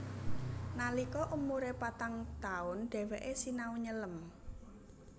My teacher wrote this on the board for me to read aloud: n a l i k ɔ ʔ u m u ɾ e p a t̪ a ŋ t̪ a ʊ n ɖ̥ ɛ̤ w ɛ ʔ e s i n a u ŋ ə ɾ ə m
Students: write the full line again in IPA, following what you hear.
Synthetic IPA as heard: n a l i k ɔ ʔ u m u ɾ e p a t̪ a ŋ t̪ a ʊ n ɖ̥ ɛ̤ w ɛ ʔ e s i n a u ɲ ə l ə m